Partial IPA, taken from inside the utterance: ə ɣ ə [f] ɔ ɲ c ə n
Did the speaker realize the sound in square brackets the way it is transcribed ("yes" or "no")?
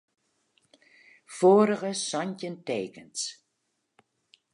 no